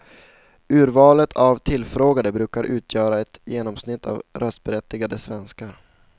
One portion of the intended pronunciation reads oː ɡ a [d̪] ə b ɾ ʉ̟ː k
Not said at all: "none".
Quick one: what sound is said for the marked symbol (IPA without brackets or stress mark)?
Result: d̪